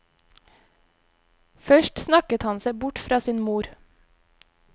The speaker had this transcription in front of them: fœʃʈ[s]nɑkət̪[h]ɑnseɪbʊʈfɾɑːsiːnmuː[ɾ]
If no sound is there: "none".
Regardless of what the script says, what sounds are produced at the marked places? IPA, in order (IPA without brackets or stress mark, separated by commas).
s, h, ɾ